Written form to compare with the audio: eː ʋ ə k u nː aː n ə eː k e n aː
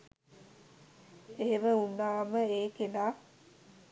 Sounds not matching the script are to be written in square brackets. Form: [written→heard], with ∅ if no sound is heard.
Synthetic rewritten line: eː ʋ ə [k→∅] u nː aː [n→m] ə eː k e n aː